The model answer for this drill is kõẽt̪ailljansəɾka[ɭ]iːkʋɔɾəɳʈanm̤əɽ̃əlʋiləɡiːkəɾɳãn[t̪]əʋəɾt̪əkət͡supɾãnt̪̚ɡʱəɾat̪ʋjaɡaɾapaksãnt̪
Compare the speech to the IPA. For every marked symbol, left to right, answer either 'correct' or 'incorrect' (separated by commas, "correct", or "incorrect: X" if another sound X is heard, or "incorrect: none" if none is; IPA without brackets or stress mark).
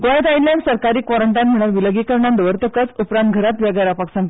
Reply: incorrect: ɾ, incorrect: d̪